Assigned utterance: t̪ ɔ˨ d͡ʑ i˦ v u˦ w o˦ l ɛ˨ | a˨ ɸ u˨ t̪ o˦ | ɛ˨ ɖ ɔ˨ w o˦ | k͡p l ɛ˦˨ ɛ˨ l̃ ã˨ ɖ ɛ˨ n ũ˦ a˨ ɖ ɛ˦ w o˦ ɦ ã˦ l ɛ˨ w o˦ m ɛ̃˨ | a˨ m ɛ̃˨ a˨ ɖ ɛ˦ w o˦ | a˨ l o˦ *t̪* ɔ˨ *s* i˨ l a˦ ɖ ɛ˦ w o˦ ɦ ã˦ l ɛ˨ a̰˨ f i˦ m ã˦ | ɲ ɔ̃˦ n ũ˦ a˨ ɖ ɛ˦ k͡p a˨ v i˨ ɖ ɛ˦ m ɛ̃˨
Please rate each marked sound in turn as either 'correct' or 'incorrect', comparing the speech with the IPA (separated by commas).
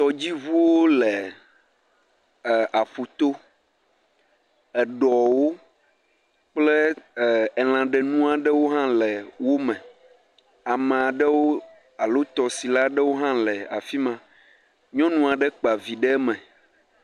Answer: correct, correct